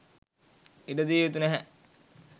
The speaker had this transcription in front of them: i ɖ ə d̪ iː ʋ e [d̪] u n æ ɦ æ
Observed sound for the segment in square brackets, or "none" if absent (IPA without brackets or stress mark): t̪